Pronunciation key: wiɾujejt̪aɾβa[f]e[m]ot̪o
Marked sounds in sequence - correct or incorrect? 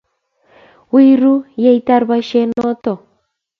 incorrect: ʃ, incorrect: n

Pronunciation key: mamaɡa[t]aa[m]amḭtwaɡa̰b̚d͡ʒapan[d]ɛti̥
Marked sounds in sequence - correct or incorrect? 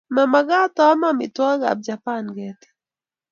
correct, correct, incorrect: ɡ

